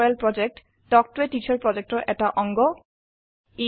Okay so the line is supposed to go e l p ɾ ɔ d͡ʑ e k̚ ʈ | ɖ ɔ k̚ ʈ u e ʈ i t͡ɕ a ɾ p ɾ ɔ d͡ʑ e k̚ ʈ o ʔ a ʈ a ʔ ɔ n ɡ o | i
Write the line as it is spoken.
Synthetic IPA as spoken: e l p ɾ ɔ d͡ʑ e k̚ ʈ | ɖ ɔ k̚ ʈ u e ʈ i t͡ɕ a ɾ p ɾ ɔ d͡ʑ e k̚ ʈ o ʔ ɛ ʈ a ʔ ɔ ŋ ɡ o | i